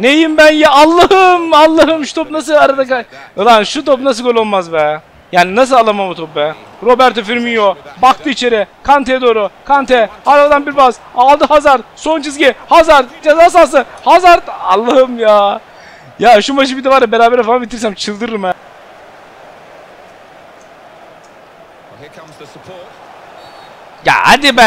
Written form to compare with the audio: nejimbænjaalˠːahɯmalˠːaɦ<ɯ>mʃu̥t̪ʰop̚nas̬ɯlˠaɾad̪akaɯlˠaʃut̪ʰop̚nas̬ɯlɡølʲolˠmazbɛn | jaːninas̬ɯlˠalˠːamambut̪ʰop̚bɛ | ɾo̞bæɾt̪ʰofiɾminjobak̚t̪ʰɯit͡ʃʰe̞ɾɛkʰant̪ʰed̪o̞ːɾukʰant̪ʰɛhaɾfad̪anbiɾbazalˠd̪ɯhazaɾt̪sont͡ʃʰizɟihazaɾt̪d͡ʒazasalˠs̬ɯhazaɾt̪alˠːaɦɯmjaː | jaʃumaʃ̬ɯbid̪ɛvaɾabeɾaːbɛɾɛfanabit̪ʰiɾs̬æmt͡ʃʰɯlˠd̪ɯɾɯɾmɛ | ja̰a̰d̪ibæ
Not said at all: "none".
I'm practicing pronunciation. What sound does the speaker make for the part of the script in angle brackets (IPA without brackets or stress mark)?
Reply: ɯ